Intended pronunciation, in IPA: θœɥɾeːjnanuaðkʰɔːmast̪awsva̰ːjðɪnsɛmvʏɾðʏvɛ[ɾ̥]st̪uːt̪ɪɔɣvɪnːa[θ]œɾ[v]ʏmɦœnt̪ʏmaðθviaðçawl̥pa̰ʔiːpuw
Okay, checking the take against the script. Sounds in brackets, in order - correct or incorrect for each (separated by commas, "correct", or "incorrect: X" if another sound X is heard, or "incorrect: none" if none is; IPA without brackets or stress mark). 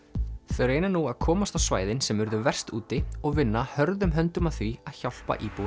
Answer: incorrect: r̥, incorrect: h, incorrect: ð